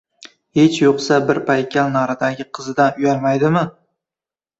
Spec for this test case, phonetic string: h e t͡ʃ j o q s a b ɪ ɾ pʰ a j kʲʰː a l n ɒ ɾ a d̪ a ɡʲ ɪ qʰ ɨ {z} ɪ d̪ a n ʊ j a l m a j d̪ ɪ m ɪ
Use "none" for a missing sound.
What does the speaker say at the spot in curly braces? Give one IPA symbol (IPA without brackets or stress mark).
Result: z